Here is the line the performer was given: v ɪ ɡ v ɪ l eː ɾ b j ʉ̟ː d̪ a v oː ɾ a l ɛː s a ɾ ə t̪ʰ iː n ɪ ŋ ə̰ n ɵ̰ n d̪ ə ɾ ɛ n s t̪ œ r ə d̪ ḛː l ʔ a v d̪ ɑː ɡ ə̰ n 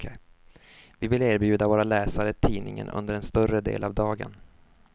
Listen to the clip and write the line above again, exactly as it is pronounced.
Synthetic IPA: v ɪ v ɪ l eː ɾ b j ʉ̟ː d̪ a v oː ɾ a l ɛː s a ɾ ə t̪ʰ iː n ɪ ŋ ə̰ n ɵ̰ n d̪ ə ɾ ɛ n s t̪ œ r ə d̪ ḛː l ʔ a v d̪ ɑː ɡ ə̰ n